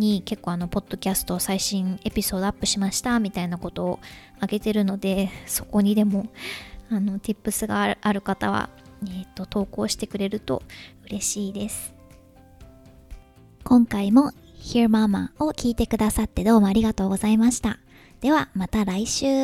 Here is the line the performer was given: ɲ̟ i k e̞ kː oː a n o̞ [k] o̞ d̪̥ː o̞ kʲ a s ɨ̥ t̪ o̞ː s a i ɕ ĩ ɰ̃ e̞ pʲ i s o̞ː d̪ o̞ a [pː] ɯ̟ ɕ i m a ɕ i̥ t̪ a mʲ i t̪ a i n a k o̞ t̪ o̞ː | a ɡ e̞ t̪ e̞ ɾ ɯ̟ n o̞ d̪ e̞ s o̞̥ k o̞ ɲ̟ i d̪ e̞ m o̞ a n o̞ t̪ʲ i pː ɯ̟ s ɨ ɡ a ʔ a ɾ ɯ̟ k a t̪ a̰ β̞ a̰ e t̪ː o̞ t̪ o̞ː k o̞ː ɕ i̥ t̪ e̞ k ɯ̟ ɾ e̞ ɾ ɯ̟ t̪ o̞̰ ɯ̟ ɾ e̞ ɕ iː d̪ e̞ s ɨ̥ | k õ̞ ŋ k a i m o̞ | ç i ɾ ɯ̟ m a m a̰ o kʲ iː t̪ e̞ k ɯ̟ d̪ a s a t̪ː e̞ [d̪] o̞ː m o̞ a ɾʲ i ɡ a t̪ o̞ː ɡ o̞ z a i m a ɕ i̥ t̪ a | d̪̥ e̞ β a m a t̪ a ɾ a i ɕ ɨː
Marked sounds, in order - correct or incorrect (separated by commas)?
incorrect, correct, correct